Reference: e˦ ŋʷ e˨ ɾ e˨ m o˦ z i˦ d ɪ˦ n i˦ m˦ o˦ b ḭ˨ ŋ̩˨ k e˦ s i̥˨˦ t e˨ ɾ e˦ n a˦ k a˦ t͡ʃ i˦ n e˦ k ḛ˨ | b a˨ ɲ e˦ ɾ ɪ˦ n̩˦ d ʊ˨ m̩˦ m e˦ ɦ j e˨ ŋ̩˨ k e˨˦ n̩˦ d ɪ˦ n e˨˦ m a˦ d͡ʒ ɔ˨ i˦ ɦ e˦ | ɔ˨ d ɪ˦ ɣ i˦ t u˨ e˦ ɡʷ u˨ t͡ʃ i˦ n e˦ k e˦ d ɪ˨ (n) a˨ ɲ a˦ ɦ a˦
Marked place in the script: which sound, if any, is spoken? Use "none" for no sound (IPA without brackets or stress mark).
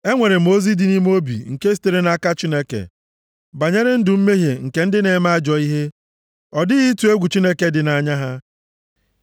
n